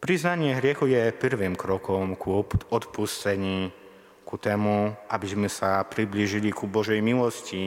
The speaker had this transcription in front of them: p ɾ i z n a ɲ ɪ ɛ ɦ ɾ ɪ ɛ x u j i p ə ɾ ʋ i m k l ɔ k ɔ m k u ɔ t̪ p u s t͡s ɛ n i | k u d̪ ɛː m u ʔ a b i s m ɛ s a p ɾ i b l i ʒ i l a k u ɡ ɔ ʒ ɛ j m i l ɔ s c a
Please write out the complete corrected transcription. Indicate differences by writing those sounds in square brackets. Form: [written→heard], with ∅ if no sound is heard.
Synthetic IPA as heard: p ɾ i z n a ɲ ɪ ɛ ɦ ɾ ɪ ɛ x u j [i→ɛ] p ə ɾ ʋ i m k [l→ɾ] ɔ k ɔ m k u ɔ t̪ p u s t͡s ɛ [n→ɲ] i | k u [d̪→t̪] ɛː m u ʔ a b i [s→z] m ɛ s a p ɾ i b l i ʒ i l [a→i] k u [ɡ→b] ɔ ʒ ɛ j m i l ɔ s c [a→i]